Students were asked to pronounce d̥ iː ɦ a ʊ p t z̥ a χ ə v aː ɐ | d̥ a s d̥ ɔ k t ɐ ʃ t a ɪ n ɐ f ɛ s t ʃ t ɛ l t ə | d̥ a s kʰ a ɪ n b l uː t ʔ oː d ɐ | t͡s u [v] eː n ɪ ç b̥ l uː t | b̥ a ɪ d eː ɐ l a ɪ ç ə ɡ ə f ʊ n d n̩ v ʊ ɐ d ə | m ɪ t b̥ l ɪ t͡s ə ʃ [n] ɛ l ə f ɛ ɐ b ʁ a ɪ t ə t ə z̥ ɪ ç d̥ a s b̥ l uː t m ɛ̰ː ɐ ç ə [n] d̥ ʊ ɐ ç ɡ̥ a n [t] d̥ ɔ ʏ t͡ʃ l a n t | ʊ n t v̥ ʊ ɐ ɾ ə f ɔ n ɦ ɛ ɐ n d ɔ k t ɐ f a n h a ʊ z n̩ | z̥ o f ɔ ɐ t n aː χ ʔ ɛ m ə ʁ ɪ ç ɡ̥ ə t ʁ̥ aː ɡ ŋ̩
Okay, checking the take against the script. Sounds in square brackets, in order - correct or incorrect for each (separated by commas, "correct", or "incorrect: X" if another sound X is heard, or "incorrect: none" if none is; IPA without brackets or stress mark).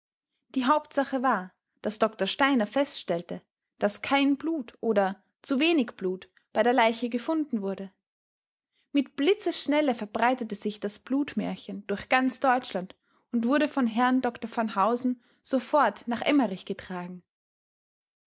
correct, correct, correct, incorrect: t͡s